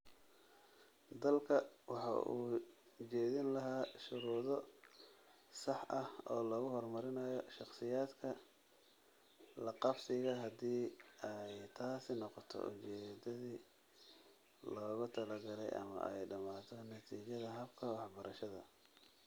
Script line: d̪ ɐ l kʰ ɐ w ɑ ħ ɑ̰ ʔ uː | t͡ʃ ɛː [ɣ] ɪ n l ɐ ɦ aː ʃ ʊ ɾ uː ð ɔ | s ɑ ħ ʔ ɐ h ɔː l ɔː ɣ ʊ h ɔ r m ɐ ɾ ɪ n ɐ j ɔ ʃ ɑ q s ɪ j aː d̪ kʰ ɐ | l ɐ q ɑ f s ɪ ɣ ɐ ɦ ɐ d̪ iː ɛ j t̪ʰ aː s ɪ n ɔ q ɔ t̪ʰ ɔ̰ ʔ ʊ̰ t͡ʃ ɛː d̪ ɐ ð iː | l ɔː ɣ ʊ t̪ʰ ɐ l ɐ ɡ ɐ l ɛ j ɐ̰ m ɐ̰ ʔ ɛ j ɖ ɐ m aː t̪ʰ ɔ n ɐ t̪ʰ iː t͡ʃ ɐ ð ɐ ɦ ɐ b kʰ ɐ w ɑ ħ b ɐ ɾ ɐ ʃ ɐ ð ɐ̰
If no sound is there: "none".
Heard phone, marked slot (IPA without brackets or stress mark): ð